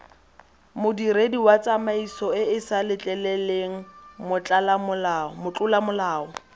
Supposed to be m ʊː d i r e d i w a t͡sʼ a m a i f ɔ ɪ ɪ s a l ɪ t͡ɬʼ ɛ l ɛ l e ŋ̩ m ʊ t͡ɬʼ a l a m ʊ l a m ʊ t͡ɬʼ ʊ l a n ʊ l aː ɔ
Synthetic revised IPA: m ʊ d i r e d i w a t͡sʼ a m a i s ɔ ɪ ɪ s a l ɪ t͡ɬʼ ɛ l ɛ l e ŋ̩ m ʊ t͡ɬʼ a l a m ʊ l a m ʊ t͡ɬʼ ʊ l a m ʊ l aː ɔ